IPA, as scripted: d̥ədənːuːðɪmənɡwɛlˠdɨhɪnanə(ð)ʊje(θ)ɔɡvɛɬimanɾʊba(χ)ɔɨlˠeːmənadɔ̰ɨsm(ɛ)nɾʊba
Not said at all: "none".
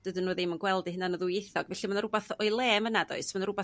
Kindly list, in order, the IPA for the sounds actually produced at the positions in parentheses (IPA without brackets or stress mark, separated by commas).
ð, θ, θ, a